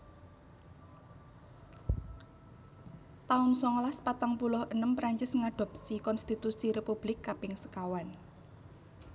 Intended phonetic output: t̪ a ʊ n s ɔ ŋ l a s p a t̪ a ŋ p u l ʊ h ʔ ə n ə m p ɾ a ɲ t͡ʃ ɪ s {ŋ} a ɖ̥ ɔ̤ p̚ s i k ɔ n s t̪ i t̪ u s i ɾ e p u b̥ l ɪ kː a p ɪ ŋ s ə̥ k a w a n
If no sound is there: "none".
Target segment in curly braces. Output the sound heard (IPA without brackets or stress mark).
ŋ